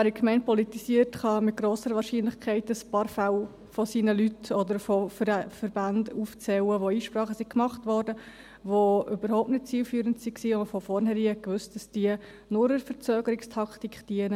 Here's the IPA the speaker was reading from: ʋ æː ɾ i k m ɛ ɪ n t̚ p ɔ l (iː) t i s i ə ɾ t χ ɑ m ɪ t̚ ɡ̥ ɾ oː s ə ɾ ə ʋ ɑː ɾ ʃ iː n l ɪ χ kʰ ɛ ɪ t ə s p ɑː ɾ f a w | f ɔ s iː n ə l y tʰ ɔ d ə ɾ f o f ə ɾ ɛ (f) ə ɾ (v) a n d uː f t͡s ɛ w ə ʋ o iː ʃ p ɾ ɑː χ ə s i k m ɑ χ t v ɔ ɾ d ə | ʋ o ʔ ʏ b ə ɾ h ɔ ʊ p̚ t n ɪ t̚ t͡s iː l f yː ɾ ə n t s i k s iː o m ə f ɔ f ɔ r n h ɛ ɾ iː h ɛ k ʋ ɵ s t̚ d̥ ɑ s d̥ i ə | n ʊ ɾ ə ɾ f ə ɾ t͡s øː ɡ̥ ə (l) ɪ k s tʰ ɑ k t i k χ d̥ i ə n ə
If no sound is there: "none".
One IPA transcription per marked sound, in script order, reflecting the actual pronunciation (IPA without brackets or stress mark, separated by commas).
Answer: i, f, b, ɾ